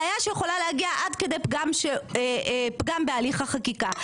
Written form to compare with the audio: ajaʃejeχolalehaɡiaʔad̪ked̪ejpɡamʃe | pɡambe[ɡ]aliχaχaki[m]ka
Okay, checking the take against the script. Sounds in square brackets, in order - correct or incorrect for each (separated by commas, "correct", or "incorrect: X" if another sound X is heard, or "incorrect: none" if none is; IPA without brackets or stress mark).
incorrect: none, incorrect: none